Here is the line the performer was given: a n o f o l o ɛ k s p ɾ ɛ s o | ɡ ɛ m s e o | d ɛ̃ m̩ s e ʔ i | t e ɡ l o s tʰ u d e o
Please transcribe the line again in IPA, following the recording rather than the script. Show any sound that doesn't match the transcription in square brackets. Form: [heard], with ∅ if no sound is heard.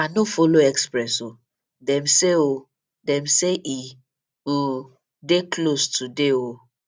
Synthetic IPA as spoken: a n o f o l o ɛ k s p ɾ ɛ s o | [d] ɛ m s e o | d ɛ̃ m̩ s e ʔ i | [d] e [k] l o s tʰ u d e o

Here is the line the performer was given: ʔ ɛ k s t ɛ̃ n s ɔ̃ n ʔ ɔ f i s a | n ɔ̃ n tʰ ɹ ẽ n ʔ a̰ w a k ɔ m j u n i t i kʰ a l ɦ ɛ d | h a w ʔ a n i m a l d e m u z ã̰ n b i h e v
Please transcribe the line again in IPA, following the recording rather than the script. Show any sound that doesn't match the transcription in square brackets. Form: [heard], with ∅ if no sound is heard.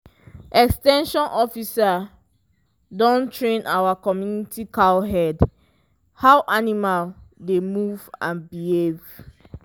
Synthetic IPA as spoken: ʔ ɛ k s t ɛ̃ n [ʃ] ɔ̃ n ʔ ɔ f i s a | [d] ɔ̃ n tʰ ɹ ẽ n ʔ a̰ w a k ɔ m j u n i t i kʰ a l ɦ ɛ d | h a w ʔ a n i m a l d e m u [v] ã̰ n b i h e v

